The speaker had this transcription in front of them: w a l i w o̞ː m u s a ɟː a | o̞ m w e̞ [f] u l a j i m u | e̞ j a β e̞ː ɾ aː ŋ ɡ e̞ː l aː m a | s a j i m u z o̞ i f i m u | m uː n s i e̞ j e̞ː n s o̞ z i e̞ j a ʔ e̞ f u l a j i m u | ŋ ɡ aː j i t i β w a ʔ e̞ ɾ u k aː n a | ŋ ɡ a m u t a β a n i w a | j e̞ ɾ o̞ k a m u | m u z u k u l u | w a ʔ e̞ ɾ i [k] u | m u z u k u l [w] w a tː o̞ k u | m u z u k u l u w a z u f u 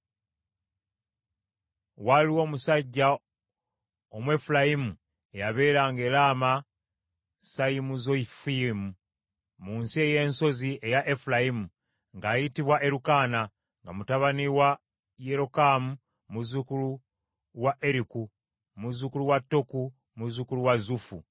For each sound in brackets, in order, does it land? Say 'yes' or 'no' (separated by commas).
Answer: yes, yes, no